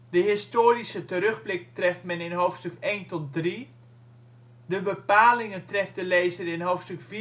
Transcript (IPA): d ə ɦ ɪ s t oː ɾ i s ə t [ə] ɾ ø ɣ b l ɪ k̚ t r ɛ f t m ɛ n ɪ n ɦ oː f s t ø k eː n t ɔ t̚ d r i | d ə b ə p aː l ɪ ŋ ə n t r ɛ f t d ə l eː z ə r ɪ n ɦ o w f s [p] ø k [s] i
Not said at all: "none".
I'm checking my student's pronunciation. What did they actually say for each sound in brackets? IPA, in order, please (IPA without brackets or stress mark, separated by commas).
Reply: ə, t, f